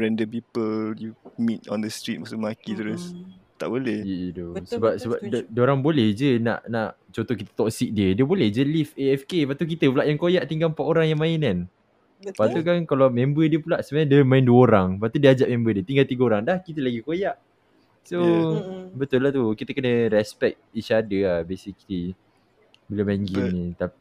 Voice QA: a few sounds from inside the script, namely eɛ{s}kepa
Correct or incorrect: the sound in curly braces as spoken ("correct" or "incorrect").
incorrect